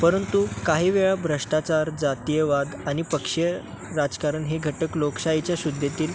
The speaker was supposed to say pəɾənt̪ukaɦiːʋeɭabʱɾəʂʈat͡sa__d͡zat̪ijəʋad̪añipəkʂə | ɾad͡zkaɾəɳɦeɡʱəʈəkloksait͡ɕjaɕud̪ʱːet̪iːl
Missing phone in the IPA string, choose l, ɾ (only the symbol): ɾ